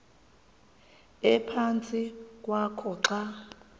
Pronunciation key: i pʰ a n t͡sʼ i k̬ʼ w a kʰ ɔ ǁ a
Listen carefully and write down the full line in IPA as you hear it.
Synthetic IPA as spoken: ɛ pʰ a n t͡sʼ i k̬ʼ w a kʰ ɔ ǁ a